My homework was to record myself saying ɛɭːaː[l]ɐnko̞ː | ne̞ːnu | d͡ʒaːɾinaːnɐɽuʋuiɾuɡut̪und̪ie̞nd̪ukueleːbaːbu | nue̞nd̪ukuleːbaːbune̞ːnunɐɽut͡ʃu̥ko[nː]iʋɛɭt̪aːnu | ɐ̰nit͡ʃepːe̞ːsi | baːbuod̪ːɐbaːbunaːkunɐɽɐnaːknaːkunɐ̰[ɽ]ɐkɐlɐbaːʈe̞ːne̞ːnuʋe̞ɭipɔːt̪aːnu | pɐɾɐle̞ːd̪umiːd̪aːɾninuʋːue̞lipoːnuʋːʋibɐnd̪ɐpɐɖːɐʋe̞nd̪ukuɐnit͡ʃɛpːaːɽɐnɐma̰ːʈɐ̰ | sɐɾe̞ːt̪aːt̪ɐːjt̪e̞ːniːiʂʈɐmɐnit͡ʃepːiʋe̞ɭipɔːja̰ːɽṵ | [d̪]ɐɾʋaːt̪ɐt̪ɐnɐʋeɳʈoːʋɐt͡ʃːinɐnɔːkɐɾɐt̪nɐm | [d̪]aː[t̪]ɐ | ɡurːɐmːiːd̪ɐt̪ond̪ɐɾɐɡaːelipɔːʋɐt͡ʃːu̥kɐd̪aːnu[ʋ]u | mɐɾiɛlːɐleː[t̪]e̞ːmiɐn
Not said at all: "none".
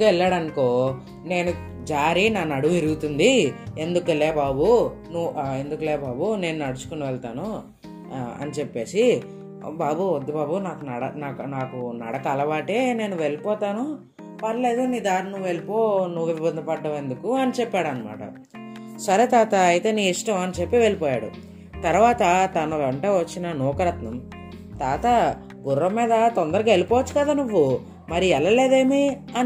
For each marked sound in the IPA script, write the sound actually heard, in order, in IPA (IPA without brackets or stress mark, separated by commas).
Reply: ɽ, n, ɽ, t̪, t̪, t̪, ʋː, d̪